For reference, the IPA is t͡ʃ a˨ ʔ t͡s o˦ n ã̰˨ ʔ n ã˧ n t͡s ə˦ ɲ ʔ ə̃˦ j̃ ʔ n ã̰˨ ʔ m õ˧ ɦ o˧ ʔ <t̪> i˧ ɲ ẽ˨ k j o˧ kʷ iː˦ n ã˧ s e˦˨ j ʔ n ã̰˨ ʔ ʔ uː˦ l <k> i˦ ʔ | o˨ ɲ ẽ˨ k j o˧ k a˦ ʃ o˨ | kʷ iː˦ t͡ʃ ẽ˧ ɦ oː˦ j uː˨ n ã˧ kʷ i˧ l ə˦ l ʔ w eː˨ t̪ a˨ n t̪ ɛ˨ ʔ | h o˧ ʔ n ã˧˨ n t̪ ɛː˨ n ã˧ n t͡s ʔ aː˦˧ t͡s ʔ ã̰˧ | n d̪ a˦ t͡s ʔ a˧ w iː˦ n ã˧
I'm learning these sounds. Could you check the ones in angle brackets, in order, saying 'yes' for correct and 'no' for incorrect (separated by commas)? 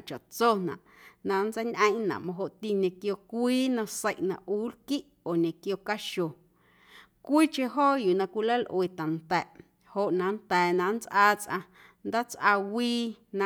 yes, yes